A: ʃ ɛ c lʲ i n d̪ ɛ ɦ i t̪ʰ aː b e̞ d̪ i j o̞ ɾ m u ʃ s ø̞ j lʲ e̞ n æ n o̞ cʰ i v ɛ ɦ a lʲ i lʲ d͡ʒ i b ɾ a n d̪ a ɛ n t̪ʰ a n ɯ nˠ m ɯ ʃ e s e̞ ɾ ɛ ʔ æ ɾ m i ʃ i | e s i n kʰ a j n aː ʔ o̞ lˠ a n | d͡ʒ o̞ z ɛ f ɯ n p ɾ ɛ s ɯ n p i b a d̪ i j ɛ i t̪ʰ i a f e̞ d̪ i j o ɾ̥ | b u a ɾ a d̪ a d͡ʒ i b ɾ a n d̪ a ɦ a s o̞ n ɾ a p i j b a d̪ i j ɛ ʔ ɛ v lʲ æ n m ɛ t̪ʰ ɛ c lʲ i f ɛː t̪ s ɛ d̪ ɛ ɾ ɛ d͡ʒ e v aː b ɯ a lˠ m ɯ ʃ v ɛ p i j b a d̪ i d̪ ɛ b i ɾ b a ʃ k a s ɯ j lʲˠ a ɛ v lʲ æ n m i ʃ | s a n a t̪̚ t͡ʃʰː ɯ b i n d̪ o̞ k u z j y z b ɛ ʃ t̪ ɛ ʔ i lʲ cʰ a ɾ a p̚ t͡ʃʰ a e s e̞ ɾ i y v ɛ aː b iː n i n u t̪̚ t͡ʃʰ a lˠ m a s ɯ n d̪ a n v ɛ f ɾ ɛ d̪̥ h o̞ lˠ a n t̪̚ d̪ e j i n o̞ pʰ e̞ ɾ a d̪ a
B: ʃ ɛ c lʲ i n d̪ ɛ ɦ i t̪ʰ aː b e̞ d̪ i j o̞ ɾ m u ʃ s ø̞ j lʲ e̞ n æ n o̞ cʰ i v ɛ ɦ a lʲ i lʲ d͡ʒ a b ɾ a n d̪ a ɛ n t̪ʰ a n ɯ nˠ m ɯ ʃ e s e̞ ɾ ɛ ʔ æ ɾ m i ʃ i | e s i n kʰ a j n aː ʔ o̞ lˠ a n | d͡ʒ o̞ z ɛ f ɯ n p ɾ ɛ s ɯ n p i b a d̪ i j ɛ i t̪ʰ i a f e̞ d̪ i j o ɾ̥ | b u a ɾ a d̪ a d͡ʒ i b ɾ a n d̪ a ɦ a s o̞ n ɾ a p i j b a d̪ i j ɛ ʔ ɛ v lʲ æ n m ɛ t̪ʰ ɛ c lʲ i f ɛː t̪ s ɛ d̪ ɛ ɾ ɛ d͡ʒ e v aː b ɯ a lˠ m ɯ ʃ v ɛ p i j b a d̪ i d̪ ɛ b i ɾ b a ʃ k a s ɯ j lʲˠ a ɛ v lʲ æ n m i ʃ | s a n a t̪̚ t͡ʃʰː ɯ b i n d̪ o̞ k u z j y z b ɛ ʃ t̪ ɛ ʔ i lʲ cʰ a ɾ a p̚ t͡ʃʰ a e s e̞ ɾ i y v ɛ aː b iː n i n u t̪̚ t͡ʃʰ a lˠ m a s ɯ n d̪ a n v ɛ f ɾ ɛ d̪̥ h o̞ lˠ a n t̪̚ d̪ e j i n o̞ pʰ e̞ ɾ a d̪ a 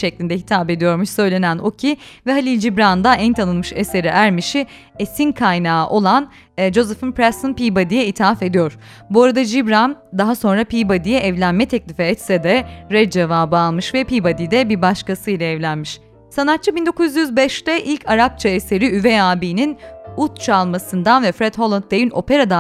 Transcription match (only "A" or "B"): A